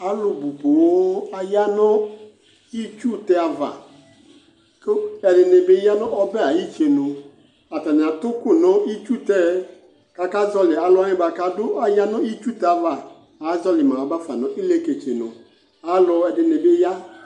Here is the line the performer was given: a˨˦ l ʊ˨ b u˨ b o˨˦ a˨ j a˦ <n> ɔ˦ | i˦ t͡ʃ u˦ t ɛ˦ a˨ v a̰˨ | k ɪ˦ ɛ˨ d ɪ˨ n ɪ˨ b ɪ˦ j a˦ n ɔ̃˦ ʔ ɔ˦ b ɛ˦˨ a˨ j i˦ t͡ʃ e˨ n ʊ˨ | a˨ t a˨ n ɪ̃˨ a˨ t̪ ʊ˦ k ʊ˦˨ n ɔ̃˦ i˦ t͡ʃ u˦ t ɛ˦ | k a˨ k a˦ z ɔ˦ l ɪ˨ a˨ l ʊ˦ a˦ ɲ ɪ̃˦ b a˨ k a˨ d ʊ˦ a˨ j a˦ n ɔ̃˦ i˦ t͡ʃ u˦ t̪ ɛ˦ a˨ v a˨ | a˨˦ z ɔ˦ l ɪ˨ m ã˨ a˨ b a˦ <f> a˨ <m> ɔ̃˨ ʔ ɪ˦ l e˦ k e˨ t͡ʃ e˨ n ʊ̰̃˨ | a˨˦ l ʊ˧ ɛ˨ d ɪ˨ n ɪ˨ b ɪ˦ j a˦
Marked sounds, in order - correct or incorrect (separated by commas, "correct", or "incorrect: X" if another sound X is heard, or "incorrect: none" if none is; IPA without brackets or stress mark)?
correct, correct, incorrect: n